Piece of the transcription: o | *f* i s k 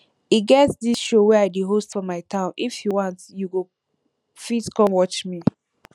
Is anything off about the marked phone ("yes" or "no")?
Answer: no